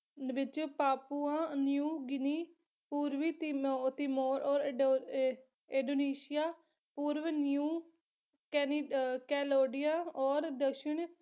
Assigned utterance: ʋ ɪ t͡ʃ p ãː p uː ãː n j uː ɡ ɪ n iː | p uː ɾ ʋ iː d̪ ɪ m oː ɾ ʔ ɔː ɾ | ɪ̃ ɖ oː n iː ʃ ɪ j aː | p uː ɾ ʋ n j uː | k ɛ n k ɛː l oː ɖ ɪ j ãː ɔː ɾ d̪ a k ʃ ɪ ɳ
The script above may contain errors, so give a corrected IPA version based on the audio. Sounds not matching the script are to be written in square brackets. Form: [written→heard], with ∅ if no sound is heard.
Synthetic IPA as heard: ʋ ɪ t͡ʃ p [ãː→aː] p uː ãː n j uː ɡ ɪ n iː | p uː ɾ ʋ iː [d̪→t̪] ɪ m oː ɾ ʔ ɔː ɾ | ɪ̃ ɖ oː n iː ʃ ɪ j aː | p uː ɾ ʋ n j uː | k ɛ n k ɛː l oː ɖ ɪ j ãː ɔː ɾ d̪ [a→ə] k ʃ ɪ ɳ